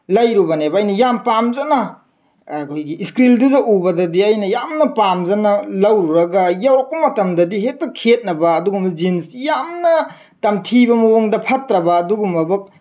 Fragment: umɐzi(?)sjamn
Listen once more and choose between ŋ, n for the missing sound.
n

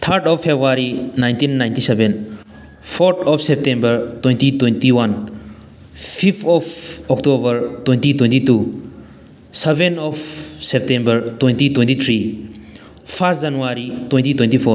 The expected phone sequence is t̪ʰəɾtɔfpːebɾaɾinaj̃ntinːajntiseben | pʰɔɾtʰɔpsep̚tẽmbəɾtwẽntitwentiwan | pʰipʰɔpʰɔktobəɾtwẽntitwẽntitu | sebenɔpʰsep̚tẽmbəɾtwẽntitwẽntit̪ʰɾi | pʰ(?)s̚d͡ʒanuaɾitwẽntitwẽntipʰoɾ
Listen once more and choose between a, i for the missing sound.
a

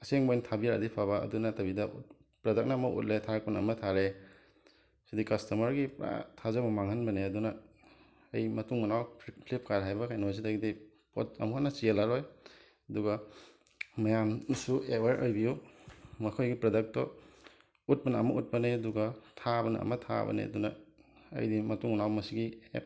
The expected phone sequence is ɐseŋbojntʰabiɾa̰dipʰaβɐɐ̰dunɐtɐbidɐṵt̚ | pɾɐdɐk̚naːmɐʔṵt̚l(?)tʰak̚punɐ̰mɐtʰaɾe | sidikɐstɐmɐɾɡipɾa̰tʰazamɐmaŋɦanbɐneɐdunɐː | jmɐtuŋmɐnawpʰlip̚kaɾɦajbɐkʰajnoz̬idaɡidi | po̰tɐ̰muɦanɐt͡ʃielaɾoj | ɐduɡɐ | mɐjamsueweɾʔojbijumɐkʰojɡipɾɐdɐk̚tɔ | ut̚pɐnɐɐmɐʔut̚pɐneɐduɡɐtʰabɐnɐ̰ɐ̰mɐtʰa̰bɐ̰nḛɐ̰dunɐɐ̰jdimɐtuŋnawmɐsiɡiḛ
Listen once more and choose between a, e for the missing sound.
e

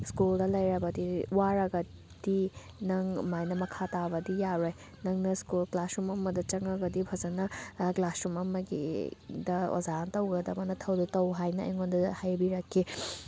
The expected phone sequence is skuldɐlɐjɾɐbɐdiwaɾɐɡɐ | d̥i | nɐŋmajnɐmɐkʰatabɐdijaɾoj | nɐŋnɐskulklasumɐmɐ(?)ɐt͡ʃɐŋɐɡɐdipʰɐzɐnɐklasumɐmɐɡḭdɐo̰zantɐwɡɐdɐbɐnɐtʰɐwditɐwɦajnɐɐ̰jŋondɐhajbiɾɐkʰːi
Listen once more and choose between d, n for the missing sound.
d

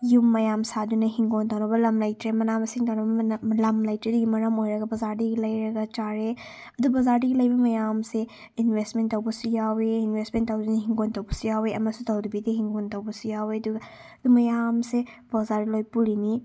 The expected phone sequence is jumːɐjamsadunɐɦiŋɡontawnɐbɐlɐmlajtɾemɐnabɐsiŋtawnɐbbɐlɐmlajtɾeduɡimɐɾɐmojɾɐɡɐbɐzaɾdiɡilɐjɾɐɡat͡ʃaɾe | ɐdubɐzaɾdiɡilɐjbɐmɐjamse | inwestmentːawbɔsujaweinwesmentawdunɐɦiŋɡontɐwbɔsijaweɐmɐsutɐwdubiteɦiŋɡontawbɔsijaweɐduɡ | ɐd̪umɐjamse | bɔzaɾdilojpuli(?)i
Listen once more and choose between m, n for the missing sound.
n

